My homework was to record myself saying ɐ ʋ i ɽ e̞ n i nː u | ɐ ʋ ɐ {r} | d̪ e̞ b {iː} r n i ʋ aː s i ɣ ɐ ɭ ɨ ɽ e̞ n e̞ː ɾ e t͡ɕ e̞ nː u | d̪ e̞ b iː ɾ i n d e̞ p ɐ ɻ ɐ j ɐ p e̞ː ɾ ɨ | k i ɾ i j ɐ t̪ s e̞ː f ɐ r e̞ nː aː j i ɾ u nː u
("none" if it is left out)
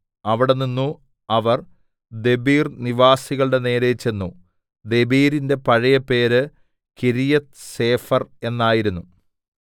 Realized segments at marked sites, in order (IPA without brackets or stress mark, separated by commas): r, iː